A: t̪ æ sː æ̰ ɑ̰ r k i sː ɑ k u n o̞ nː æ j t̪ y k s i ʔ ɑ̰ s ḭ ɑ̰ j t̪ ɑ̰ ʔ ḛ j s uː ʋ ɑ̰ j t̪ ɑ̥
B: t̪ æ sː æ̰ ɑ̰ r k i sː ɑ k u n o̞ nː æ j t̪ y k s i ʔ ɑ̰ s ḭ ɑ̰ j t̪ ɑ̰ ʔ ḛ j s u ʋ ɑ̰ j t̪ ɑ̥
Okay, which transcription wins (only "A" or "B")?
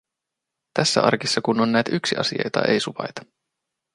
B